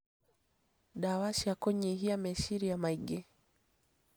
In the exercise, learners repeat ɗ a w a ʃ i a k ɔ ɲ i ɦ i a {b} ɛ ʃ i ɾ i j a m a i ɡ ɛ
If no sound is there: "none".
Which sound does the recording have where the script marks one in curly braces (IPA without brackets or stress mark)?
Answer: m